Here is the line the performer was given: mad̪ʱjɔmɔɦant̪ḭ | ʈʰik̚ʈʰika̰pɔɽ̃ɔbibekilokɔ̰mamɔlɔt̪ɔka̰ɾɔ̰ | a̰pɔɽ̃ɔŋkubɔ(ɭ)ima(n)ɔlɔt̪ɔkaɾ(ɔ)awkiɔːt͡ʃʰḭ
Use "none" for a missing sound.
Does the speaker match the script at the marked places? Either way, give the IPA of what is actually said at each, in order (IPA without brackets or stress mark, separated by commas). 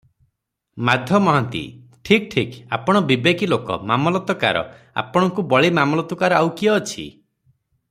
ɭ, m, ɔ